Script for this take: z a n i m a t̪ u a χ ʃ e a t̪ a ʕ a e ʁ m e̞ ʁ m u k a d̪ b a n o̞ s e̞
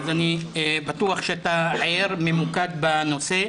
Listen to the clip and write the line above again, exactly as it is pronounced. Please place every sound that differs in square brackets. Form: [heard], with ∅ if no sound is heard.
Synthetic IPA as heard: z a n i [b] a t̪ u a χ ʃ e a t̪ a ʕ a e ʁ m e̞ [∅] m u k a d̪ b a n o̞ s e̞